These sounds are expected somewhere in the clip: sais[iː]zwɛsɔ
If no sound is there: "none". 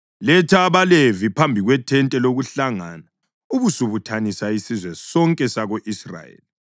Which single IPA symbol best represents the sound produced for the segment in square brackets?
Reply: i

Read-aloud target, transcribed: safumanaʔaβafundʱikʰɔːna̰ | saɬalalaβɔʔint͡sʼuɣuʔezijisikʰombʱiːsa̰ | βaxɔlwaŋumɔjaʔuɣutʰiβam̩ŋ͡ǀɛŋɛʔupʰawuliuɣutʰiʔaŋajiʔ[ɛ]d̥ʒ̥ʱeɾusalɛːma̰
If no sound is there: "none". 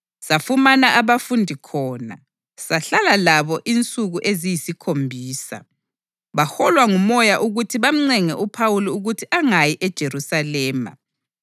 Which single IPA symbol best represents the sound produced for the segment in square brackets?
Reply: ɛ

